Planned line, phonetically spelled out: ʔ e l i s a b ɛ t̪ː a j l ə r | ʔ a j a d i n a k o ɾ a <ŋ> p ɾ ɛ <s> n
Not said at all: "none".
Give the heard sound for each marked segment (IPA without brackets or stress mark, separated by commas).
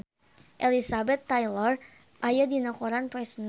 n, s